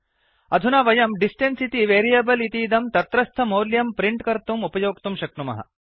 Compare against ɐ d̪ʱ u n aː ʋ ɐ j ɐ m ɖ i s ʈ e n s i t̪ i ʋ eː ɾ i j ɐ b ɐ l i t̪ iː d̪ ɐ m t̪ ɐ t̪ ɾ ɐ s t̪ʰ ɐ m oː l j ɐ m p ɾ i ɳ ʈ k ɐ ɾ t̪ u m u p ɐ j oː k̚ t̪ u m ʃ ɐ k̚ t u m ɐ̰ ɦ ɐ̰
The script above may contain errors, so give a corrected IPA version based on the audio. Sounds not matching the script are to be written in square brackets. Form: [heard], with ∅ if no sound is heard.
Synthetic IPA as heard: ɐ d̪ʱ u n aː ʋ ɐ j ɐ m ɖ i s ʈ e n s i t̪ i ʋ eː ɾ i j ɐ b ɐ l i t̪ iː d̪ ɐ m t̪ ɐ t̪ ɾ ɐ s t̪ʰ ɐ m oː l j ɐ m p ɾ i ɳ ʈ k ɐ ɾ t̪ u m u p ɐ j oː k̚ t̪ u m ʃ ɐ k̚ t u m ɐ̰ ɦ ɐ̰